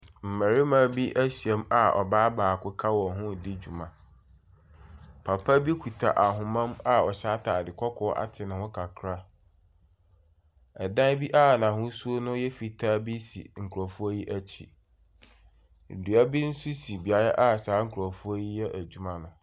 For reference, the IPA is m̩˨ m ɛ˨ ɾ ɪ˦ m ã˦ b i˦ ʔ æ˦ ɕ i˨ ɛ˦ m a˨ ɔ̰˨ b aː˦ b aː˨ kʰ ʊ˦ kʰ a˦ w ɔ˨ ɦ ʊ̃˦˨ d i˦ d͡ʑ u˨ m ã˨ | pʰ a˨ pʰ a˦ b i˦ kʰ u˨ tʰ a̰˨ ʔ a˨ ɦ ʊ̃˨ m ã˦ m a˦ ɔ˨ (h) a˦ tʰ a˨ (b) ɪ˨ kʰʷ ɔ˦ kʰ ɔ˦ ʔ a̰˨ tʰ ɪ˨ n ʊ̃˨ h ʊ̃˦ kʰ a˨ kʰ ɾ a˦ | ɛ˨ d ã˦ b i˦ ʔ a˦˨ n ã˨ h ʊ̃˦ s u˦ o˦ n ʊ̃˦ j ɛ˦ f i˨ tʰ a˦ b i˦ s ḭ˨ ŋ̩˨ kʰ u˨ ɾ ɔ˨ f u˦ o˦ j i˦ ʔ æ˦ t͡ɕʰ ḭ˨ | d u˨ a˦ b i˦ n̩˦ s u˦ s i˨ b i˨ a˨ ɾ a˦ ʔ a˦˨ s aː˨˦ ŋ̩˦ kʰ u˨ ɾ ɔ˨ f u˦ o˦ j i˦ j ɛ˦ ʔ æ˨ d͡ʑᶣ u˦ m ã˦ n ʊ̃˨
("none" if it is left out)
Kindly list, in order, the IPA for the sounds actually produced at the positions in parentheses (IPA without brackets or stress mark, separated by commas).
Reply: ɕ, d